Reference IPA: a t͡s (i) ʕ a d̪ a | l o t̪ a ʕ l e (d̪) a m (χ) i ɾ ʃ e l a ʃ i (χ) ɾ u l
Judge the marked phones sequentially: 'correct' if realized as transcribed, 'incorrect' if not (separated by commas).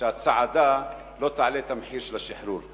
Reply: incorrect, incorrect, incorrect, incorrect